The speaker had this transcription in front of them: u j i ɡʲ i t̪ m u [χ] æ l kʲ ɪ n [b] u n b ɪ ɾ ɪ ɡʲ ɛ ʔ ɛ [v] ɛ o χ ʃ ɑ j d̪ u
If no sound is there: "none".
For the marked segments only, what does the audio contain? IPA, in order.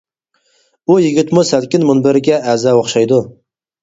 s, m, z

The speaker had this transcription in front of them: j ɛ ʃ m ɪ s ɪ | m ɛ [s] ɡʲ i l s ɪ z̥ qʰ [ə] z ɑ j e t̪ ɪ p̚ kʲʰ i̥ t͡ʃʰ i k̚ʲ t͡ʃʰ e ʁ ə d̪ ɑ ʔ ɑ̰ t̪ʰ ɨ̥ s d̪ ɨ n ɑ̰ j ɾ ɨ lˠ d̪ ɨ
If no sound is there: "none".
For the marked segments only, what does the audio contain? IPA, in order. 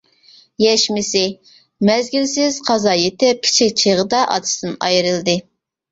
z, ɑ

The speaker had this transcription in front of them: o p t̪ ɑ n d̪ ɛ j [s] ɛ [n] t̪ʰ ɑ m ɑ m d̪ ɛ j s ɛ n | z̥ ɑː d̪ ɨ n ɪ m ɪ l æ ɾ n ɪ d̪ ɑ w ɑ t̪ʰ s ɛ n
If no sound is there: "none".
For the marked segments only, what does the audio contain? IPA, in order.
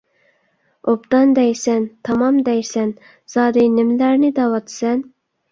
s, n

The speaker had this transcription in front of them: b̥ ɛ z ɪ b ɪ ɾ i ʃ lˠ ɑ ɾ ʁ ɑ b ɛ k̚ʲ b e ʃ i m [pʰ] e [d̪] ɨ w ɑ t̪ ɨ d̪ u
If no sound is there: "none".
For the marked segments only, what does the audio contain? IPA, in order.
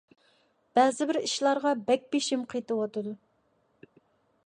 qʰ, t̪

